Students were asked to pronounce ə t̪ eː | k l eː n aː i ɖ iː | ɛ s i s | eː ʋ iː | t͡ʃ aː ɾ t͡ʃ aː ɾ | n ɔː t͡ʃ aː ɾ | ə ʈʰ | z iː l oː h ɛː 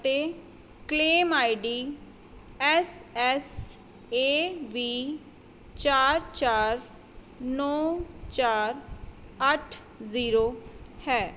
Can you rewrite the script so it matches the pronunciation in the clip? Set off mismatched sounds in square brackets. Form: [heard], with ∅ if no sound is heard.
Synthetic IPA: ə t̪ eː | k l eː [m] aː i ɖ iː | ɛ s [ɛ] s | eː ʋ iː | t͡ʃ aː ɾ t͡ʃ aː ɾ | n ɔː t͡ʃ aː ɾ | ə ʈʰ | z iː [ɾ] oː h ɛː